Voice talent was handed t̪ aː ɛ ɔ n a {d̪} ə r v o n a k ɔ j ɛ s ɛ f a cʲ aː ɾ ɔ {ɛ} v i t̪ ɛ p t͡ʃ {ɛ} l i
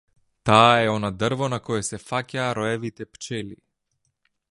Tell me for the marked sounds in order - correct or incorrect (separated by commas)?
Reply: correct, correct, correct